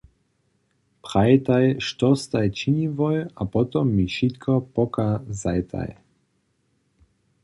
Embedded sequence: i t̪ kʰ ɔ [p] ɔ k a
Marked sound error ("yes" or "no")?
no